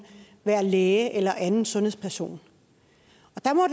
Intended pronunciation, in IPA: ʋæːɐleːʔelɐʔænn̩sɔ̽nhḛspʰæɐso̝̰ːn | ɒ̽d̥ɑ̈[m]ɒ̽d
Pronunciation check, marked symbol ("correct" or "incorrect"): correct